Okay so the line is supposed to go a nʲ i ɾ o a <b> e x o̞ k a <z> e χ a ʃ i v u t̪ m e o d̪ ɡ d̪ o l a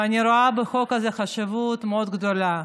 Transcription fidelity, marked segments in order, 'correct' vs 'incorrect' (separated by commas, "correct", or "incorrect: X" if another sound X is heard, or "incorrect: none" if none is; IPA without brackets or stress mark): correct, correct